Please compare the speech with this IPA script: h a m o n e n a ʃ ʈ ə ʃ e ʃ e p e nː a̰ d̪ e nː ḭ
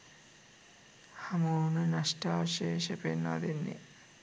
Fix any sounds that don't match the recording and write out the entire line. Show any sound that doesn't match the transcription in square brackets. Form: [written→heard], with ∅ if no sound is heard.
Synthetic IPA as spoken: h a m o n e n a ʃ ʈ [ə→a] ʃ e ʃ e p e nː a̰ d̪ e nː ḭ